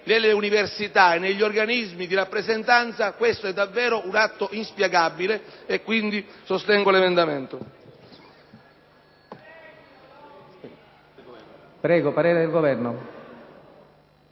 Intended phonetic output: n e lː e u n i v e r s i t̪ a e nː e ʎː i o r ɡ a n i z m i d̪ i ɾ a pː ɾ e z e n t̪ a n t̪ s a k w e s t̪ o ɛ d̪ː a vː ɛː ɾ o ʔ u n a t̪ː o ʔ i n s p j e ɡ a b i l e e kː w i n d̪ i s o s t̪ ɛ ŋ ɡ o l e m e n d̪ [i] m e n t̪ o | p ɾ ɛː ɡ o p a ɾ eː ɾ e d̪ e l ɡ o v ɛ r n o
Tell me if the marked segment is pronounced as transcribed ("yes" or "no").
no